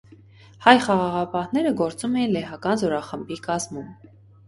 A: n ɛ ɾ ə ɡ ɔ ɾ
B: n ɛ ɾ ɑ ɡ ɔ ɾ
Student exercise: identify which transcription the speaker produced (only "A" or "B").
A